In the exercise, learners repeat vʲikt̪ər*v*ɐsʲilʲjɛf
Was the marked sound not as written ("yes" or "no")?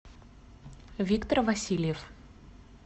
no